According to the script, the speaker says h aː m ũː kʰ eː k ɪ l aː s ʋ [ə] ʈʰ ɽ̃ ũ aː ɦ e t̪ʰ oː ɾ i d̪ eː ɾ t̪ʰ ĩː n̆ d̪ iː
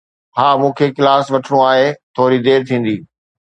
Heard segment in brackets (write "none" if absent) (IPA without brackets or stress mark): ɐ